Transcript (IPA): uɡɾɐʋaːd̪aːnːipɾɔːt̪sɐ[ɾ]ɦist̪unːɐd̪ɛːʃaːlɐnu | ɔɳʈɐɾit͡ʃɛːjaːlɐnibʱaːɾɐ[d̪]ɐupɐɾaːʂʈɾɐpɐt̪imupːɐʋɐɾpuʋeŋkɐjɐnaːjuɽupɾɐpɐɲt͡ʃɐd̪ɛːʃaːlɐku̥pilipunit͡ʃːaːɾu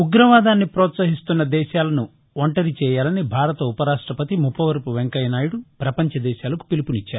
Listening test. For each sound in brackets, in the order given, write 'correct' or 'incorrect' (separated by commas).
incorrect, incorrect